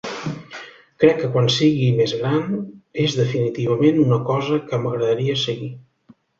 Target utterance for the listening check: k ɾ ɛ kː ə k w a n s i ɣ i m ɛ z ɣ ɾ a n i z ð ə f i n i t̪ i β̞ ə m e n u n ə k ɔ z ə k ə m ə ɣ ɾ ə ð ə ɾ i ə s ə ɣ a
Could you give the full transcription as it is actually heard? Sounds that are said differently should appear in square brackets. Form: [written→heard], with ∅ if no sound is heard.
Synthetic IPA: k ɾ ɛ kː ə k w a n s i ɣ i m [ɛ→e] z ɣ ɾ a n [i→e] z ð ə f i n i t̪ i β̞ ə m e n u n ə k ɔ z ə k ə m ə ɣ ɾ ə ð ə ɾ i ə s ə ɣ [a→i]